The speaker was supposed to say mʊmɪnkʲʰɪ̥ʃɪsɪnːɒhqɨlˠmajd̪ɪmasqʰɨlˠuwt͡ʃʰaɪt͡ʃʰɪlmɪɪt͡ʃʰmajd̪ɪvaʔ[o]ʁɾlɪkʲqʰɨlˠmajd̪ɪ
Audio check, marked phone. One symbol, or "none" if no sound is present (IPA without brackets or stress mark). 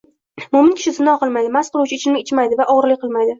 ɒ